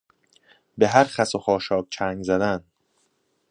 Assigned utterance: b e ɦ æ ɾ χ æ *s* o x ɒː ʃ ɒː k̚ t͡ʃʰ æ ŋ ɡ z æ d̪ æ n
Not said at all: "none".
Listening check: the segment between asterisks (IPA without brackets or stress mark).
s